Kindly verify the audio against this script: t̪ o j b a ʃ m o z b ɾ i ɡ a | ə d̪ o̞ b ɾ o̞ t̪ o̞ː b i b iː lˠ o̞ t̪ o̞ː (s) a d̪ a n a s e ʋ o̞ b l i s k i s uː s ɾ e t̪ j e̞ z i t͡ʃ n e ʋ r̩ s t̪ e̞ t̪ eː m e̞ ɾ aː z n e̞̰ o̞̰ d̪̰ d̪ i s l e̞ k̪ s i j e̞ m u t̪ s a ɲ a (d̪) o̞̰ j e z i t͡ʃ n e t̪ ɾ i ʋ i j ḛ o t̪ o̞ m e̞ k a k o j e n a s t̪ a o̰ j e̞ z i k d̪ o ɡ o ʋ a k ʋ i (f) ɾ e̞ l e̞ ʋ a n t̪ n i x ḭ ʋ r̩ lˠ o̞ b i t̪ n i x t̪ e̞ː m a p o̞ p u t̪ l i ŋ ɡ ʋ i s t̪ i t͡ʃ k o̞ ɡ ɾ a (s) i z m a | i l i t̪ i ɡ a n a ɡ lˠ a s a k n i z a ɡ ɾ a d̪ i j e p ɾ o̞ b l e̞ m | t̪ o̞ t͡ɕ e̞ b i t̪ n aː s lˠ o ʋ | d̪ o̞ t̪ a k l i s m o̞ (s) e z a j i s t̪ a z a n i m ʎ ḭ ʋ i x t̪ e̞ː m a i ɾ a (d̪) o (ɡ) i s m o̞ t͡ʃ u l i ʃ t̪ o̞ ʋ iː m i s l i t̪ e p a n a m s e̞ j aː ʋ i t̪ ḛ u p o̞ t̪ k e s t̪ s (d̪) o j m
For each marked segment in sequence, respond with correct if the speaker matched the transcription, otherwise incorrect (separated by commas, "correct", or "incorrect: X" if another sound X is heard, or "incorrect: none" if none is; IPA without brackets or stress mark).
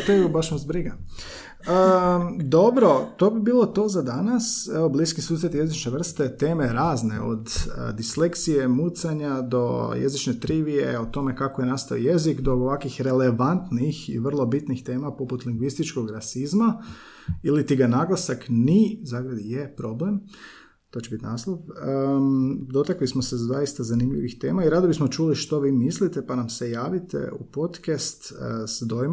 incorrect: z, correct, incorrect: x, correct, correct, correct, incorrect: b, correct